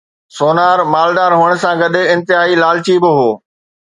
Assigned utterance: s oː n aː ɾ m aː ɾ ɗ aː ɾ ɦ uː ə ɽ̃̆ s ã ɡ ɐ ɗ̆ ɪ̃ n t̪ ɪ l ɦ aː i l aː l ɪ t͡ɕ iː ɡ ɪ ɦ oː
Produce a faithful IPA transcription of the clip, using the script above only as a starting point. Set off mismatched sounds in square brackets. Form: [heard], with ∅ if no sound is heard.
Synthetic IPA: s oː n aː ɾ m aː [l] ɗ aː ɾ ɦ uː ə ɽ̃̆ s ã ɡ ɐ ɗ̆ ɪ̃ n t̪ ɪ [∅] ɦ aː i l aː l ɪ t͡ɕ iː [b] ɪ ɦ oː

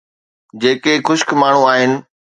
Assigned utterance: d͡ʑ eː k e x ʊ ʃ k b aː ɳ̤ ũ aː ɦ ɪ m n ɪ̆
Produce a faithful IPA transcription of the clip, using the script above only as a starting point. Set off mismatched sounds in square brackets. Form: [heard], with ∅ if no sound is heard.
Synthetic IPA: d͡ʑ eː k e x ʊ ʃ k [m] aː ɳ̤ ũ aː ɦ ɪ [∅] n ɪ̆

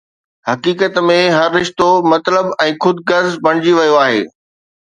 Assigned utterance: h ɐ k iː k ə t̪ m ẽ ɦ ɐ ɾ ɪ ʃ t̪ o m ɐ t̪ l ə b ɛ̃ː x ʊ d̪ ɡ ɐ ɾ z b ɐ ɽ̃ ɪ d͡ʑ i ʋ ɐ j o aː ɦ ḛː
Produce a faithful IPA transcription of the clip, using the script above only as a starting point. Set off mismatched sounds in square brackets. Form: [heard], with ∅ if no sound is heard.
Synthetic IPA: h ɐ k iː k ə t̪ m ẽ ɦ ɐ [ɾː] ɪ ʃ t̪ o m ɐ t̪ l ə b ɛ̃ː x ʊ d̪ ɡ ɐ ɾ z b ɐ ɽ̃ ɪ d͡ʑ i ʋ ɐ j o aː ɦ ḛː

